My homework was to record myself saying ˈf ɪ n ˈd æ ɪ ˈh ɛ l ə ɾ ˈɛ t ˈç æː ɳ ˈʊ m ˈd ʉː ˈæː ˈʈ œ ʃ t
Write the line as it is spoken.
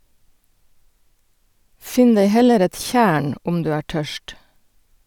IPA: ˈf ɪ n ˈd e ɪ ˈh ɛ l ə ɾ ˈɛ t ˈç æː ɳ ˈʊ m ˈd ʉː ˈæː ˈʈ œ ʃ t